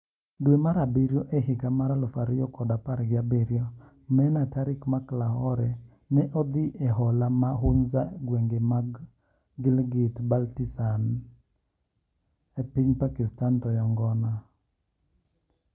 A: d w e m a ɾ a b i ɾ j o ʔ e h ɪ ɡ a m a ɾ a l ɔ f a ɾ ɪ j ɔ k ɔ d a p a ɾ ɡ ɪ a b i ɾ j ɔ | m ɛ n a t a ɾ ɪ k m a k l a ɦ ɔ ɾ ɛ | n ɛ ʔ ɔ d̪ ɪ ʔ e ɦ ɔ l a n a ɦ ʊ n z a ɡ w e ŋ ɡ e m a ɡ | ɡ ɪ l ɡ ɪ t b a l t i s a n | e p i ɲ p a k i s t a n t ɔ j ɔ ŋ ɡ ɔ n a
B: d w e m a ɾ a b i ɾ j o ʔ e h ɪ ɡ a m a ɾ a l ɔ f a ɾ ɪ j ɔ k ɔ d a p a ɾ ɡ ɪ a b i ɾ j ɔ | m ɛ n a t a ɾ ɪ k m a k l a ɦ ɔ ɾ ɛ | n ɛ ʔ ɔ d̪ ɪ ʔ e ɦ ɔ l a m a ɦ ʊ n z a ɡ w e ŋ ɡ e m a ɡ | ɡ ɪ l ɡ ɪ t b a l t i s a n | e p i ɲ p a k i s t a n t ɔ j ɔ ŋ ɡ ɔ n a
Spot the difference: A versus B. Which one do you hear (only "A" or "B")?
B